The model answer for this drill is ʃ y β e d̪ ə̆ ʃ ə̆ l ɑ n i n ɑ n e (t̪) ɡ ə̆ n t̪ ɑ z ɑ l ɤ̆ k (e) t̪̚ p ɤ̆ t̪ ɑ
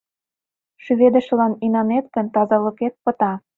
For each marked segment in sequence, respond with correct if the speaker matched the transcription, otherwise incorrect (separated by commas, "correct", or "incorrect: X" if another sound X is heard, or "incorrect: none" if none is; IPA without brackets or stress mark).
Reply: correct, correct